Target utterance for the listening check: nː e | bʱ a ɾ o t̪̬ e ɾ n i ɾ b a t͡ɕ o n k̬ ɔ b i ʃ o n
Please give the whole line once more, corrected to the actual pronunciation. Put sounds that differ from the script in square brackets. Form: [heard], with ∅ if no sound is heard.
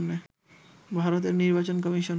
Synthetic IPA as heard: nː e | bʱ a ɾ o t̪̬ e ɾ n i ɾ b a t͡ɕ o n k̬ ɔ [m] i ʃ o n